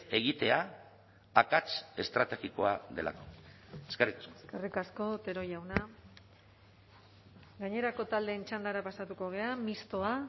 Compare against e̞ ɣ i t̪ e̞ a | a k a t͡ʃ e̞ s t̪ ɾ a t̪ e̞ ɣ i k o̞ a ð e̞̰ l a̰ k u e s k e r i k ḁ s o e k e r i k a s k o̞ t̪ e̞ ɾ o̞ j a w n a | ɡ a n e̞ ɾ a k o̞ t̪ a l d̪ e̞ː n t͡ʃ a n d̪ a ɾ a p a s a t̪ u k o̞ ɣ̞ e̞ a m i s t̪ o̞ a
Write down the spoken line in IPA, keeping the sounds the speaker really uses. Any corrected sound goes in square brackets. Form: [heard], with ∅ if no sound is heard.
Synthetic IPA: e̞ ɣ i t̪ e̞ a | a k a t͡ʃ e̞ s t̪ ɾ a t̪ e̞ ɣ i k o̞ a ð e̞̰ l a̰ k [o] e s k e r i k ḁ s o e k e r i k a s k o̞ t̪ e̞ ɾ o̞ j a w n a | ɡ a [ɲ] e̞ ɾ a k o̞ t̪ a l d̪ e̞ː n t͡ʃ a n d̪ a ɾ a p a s a t̪ u k o̞ ɣ̞ e̞ a m i s t̪ o̞ a